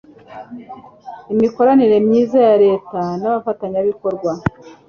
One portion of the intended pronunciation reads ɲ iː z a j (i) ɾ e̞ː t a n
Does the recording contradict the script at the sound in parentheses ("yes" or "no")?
yes